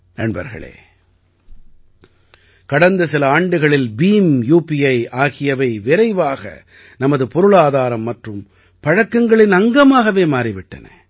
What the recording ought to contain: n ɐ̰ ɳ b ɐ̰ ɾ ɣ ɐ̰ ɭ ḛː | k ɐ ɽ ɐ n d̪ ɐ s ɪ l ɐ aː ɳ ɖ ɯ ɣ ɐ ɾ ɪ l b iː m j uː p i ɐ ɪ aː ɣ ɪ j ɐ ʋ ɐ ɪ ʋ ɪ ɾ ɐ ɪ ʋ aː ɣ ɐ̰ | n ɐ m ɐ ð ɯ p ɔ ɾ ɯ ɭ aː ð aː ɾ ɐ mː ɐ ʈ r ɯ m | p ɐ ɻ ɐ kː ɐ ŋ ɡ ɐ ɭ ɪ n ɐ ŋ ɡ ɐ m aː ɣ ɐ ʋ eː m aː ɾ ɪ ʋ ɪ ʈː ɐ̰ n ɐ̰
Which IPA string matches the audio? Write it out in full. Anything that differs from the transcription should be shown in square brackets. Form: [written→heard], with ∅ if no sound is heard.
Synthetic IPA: n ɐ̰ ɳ b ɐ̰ ɾ ɣ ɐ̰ ɭ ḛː | k ɐ ɽ ɐ n d̪ ɐ s ɪ l ɐ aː ɳ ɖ ɯ ɣ ɐ [ɾ→ɭ] ɪ l b iː m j uː p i ɐ ɪ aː ɣ ɪ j ɐ ʋ ɐ ɪ ʋ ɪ ɾ ɐ ɪ ʋ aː ɣ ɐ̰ | n ɐ m ɐ ð ɯ p ɔ ɾ ɯ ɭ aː ð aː ɾ ɐ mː ɐ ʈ r ɯ m | p ɐ ɻ ɐ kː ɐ ŋ ɡ ɐ ɭ ɪ n ɐ ŋ ɡ ɐ m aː ɣ ɐ ʋ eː m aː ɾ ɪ ʋ ɪ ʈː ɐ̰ n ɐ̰